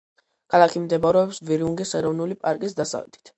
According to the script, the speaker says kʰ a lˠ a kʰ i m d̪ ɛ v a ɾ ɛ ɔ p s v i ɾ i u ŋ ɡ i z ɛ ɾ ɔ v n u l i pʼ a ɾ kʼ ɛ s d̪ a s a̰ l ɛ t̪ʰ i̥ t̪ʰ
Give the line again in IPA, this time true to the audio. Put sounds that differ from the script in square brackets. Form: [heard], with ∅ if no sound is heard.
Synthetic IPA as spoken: kʰ a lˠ a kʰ i m d̪ ɛ [b] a ɾ ɛ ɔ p s v i ɾ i u ŋ ɡ i [s] ɛ ɾ ɔ v n u l i pʼ a ɾ kʼ [i] s d̪ a s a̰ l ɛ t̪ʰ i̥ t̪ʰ

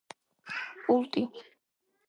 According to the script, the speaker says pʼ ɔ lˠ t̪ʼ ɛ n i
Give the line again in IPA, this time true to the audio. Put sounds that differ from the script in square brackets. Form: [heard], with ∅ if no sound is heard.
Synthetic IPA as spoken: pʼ [u] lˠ t̪ʼ [i] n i

